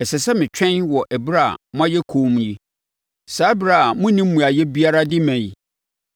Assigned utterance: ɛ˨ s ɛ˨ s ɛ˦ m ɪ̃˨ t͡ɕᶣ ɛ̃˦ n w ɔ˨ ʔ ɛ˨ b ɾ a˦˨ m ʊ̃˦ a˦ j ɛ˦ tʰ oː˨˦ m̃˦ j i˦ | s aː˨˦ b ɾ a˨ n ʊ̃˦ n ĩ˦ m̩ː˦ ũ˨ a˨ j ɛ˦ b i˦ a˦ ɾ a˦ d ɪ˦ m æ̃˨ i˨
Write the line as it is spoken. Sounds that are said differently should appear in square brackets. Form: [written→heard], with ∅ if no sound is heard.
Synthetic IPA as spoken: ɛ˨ s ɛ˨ s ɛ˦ m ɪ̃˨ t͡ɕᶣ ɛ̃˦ n w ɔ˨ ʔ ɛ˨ b ɾ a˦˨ m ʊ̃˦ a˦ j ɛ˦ [tʰ→kʰ] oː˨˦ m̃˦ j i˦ | s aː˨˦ b ɾ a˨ [n→m] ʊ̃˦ n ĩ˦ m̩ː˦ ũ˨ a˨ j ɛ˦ b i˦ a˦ ɾ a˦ d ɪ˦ m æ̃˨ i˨